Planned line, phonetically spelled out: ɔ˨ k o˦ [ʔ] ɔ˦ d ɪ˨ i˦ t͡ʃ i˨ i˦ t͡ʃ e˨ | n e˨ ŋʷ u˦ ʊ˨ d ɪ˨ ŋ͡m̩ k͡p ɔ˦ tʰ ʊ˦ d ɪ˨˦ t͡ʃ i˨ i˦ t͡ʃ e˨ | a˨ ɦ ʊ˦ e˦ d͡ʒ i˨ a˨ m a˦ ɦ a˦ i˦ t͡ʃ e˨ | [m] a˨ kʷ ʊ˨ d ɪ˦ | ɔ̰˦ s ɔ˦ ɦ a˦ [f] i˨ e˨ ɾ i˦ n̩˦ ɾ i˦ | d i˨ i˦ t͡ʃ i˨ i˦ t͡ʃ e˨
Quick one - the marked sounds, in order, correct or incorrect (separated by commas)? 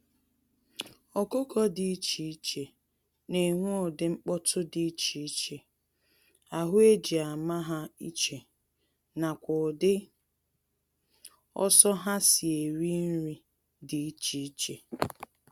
incorrect, incorrect, incorrect